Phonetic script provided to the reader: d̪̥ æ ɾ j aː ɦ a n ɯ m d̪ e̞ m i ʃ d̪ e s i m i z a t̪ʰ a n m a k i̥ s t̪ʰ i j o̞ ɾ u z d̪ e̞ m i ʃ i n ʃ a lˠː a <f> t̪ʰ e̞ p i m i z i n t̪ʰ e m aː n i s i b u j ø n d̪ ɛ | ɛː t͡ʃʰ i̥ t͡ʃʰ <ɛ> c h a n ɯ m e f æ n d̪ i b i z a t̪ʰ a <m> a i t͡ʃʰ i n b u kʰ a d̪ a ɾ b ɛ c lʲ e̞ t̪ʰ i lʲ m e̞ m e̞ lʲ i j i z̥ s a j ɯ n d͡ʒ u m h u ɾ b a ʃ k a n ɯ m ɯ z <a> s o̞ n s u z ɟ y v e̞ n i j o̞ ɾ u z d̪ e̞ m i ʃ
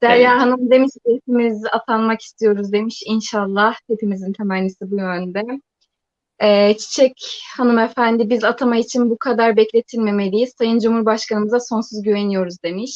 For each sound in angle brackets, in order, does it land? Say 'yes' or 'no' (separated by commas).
no, yes, yes, yes